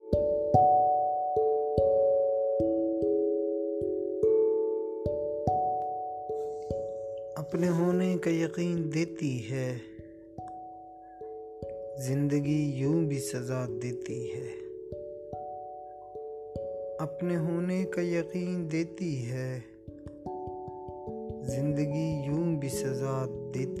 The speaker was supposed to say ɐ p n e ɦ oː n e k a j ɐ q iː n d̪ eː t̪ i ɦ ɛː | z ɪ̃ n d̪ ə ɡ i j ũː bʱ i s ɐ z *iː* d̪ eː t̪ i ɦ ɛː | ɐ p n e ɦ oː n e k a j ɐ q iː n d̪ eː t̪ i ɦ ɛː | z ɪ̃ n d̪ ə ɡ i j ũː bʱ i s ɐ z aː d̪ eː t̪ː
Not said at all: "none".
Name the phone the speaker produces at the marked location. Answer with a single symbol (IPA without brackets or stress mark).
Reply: aː